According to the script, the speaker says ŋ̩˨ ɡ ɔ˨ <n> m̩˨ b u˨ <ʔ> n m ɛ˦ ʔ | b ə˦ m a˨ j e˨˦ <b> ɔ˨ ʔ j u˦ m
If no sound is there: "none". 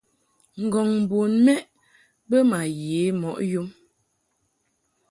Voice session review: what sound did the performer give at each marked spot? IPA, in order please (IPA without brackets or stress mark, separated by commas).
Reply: ŋ, none, m